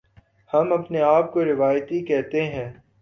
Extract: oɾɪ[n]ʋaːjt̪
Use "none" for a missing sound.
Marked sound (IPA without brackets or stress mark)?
none